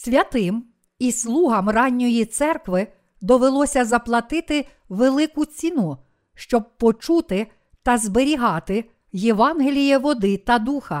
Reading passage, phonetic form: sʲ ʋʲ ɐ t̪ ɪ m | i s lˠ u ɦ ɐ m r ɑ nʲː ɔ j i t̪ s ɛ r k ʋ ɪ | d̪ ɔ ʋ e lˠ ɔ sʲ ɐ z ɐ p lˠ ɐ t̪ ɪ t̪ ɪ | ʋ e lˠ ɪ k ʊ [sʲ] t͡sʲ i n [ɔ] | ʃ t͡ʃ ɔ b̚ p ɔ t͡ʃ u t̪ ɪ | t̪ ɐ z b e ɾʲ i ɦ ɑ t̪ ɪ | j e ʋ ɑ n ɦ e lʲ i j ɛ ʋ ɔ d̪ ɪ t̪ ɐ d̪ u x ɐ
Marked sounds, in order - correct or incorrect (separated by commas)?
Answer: incorrect, incorrect